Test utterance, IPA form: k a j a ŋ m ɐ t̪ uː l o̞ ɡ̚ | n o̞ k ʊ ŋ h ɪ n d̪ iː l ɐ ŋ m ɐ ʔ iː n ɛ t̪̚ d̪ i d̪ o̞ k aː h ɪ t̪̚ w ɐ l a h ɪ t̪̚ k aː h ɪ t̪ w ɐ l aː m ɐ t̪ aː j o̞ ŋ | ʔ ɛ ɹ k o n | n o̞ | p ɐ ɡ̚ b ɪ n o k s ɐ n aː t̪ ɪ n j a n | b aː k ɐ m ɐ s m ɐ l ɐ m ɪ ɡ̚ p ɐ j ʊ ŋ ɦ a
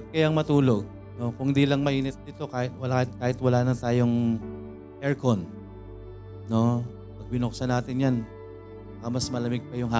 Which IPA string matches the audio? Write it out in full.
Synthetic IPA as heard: k ɐ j a ŋ m ɐ t̪ uː l o̞ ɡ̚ | n o̞ k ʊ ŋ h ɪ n d̪ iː l ɐ ŋ m ɐ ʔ iː n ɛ t̪̚ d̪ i t̪ o̞ k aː h ɪ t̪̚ w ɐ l a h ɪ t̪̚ k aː h ɪ t̪ w ɐ l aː n ɐ t̪ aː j o̞ ŋ | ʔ ɛ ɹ k o n | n o̞ | p ɐ ɡ̚ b ɪ n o k s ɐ n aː t̪ ɪ n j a n | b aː k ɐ m ɐ s m ɐ l ɐ m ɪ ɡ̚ p ɐ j ʊ ŋ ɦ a